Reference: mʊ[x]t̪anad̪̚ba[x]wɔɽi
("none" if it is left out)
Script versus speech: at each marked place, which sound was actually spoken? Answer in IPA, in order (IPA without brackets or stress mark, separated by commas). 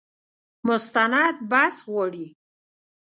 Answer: s, s